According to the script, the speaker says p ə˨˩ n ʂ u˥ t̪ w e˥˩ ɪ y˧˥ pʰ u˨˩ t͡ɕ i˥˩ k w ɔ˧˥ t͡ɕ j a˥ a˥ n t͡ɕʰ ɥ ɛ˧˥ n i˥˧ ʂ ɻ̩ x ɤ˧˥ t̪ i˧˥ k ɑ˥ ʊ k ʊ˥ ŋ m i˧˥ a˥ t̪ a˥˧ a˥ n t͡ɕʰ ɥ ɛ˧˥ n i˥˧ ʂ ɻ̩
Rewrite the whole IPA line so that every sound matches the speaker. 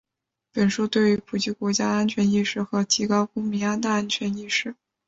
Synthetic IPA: p ə˨˩ n ʂ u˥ t̪ w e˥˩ ɪ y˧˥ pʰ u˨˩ t͡ɕ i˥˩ k w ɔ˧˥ t͡ɕ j a˥ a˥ n t͡ɕʰ ɥ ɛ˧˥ n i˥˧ ʂ ɻ̩ x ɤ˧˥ t̪ʰ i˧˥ k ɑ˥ ʊ k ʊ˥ ŋ m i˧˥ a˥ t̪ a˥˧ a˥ n t͡ɕʰ ɥ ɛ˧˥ n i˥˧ ʂ ɻ̩